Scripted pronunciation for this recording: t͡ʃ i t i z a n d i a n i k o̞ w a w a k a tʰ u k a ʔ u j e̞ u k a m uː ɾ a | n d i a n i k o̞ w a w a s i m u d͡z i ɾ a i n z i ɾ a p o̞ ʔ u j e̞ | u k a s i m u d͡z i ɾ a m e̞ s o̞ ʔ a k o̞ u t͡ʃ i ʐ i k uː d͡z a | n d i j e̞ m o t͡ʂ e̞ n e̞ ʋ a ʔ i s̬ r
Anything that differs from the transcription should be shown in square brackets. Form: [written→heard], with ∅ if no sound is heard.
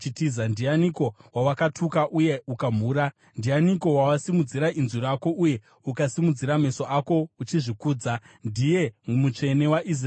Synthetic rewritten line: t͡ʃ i t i z a n d i a n i k o̞ w a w a k a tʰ u k a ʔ u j e̞ u k a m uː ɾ a | n d i a n i k o̞ w a w a s i m u d͡z i ɾ a i n z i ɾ a [p→k] o̞ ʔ u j e̞ | u k a s i m u d͡z i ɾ a m e̞ s o̞ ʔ a k o̞ u t͡ʃ i ʐ i k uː d͡z a | n d i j e̞ m [o→u] t͡ʂ e̞ n e̞ [ʋ→w] a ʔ i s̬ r